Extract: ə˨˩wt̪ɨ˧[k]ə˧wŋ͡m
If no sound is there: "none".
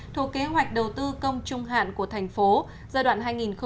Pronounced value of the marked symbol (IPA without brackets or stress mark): k